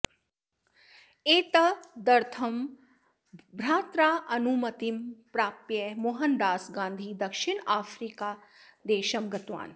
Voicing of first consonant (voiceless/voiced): voiceless